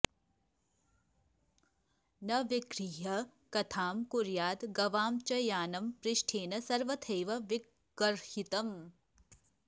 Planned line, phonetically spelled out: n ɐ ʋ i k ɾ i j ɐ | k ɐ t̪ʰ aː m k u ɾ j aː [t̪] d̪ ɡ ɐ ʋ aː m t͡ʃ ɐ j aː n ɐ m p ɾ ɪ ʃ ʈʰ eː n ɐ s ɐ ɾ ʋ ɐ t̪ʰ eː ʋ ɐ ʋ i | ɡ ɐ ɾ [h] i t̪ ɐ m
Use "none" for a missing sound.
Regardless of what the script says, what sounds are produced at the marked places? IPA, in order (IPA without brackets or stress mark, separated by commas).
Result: none, h